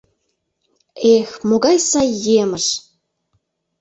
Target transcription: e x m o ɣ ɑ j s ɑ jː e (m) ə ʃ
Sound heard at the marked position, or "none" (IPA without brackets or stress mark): m